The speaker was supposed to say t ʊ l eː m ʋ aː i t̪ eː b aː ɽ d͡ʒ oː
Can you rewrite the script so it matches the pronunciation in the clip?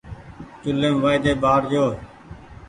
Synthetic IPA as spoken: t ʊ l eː m ʋ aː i d̪ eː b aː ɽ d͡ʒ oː